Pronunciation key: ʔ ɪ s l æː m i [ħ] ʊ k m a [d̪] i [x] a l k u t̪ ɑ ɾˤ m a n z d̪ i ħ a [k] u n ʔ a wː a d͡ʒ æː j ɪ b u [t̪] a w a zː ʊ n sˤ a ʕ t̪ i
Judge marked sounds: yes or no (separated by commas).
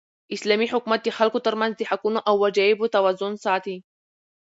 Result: yes, no, yes, yes, yes